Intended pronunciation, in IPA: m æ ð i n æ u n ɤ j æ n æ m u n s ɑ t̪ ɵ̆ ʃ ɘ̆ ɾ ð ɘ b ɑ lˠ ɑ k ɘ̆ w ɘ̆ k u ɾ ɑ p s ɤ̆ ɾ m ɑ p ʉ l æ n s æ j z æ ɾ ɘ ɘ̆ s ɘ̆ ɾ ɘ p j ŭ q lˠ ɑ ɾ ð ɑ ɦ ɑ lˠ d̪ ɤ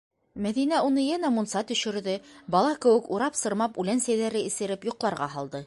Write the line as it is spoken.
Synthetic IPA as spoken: m æ ð i n æ u n ɤ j æ n æ m u n s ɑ t̪ ɵ̆ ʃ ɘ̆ ɾ ð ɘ b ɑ lˠ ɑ k ɘ̆ w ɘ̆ k u ɾ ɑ p s ɤ̆ ɾ m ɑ p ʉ l æ n s æ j ð æ ɾ ɘ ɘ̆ s ɘ̆ ɾ ɘ p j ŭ q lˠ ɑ ɾ ʁ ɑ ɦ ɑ lˠ d̪ ɤ